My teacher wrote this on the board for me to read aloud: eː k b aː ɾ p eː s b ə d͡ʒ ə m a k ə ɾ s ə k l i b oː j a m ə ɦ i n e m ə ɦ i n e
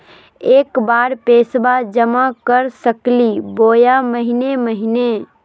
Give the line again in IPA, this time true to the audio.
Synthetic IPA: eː k b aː ɾ p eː s b a d͡ʒ ə m a k ə ɾ s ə k l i b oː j a m ə ɦ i n e m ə ɦ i n e